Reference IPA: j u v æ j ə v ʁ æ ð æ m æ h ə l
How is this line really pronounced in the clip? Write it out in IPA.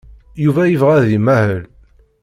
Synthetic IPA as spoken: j u v æ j ə v ʁ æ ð i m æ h ə l